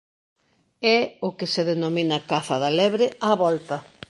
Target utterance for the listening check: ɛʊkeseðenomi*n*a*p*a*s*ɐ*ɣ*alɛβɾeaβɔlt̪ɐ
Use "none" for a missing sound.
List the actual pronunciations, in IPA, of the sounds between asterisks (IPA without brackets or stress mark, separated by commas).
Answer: n, k, θ, ð